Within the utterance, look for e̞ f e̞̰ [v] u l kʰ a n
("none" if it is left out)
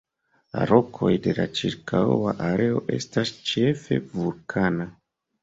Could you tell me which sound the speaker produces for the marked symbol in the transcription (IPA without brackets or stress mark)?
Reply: v